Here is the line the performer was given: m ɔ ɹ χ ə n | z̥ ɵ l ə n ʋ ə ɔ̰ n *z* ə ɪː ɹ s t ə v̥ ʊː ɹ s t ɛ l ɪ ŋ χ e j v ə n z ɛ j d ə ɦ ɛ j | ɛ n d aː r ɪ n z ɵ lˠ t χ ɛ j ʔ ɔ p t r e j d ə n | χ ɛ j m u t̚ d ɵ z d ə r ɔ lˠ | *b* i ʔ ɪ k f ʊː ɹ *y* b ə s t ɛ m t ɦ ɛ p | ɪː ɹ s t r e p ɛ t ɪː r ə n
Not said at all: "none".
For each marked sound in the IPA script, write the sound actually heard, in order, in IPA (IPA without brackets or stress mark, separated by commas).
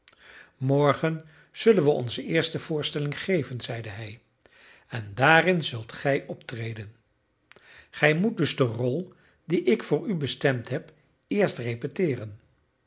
z, d, y